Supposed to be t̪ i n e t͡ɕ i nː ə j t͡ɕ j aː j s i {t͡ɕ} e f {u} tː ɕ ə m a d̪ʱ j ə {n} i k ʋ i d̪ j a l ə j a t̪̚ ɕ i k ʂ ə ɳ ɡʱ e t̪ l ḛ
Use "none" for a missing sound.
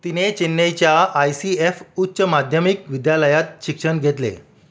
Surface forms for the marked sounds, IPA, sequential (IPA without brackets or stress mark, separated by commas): none, u, m